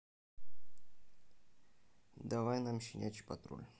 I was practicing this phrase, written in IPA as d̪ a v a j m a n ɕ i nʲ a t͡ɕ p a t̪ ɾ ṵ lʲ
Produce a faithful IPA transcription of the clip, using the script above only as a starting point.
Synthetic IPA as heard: d̪ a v a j n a m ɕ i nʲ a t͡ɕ p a t̪ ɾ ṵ lʲ